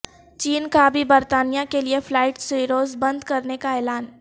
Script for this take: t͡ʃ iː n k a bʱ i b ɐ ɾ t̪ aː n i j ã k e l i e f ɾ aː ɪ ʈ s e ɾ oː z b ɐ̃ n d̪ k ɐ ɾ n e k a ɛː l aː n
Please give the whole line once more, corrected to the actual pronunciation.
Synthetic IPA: t͡ʃ iː n k a bʱ i b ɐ ɾ t̪ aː n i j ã k e l i e f l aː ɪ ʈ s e ɾ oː z b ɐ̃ n d̪ k ɐ ɾ n e k a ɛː l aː n